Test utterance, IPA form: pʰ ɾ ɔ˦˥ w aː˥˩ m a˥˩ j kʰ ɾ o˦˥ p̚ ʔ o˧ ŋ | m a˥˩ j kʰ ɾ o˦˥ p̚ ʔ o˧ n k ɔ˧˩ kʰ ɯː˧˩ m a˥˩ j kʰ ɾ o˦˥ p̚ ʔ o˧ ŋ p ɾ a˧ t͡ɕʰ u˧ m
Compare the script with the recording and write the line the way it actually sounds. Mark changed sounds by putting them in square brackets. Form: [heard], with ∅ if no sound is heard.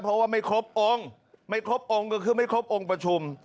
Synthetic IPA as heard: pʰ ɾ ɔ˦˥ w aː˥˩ m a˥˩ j kʰ ɾ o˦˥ p̚ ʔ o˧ ŋ | m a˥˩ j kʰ ɾ o˦˥ p̚ ʔ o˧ [ŋ] k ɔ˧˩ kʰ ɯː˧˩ m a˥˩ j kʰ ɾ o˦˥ p̚ ʔ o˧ ŋ p ɾ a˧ t͡ɕʰ u˧ m